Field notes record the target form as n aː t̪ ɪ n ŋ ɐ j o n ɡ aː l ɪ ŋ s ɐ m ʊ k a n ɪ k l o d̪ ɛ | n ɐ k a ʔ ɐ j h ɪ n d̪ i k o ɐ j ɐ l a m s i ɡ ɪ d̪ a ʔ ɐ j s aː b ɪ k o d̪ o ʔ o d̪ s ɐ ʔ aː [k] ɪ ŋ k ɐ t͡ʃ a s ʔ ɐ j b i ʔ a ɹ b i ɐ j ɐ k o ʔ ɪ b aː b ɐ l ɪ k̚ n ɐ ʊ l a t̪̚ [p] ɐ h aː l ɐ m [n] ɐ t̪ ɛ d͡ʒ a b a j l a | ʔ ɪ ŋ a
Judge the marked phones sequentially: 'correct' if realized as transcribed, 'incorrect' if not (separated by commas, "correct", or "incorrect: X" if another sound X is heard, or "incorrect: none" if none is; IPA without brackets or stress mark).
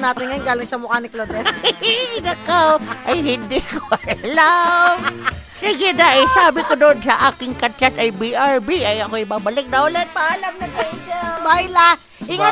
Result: correct, correct, correct